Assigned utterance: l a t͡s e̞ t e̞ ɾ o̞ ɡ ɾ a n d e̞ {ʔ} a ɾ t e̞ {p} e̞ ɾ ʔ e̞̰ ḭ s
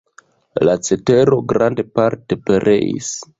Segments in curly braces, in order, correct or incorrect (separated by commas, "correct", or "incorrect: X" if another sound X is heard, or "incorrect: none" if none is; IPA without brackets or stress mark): incorrect: p, correct